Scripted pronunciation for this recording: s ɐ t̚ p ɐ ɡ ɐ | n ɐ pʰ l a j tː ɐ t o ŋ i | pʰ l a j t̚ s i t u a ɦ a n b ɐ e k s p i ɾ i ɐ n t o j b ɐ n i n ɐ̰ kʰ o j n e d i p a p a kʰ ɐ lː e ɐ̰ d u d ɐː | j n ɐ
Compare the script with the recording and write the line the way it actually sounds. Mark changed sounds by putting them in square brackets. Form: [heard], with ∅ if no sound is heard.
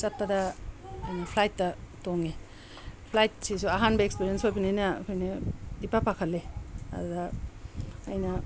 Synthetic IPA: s ɐ t̚ p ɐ [d] ɐ | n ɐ pʰ l a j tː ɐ t o ŋ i | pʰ l a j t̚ s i [s] u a ɦ a n b ɐ e k s p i ɾ i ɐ n [s] o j b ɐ n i n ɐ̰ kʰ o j n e d i p a p a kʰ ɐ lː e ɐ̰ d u d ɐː | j n ɐ

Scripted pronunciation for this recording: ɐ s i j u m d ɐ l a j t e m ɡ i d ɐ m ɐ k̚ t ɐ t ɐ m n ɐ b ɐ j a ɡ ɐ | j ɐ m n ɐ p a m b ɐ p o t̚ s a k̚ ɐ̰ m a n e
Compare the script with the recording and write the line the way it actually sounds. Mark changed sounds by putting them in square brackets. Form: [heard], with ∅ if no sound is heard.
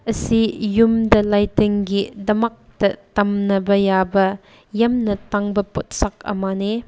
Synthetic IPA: ɐ s i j u m d ɐ l a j t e [ŋ] ɡ i d ɐ m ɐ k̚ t ɐ t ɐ m n ɐ b ɐ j a [b] ɐ | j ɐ m n ɐ [t] a [ŋ] b ɐ p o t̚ s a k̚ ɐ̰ m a n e

